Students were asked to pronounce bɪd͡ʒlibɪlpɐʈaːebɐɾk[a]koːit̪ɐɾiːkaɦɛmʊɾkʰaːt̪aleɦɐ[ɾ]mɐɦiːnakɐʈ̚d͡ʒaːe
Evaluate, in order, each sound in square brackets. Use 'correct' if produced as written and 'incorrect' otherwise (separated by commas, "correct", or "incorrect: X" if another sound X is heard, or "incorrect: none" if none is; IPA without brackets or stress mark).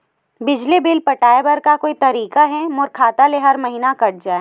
correct, correct